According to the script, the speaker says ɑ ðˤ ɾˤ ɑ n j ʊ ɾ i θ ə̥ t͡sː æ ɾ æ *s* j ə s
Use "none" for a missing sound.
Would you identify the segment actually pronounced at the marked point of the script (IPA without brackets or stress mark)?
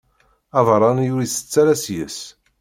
s